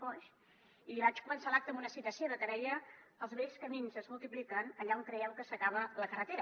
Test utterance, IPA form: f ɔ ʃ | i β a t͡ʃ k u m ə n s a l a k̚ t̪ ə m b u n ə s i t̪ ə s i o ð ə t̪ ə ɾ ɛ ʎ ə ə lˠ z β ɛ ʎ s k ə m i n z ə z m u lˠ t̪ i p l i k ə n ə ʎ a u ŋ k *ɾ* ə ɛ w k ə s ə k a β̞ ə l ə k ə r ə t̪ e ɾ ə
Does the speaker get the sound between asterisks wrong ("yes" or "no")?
no